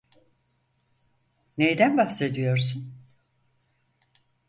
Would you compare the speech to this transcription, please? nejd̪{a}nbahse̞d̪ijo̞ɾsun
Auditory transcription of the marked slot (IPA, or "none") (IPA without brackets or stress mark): æ